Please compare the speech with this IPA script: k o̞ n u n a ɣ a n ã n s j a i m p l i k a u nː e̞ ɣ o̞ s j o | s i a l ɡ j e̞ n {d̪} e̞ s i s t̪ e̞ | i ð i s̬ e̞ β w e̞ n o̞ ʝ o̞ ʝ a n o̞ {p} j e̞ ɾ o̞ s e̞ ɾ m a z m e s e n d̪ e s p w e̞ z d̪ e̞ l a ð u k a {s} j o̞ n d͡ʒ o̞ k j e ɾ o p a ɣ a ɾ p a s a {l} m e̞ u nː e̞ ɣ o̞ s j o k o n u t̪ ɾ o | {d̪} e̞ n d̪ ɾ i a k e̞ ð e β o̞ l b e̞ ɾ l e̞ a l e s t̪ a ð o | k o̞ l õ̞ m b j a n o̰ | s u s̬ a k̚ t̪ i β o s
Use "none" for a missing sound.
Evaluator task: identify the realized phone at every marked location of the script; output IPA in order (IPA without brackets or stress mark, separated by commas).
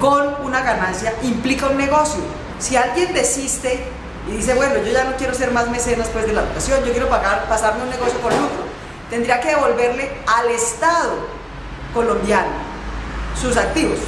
d̪, k, s, ɾ, t̪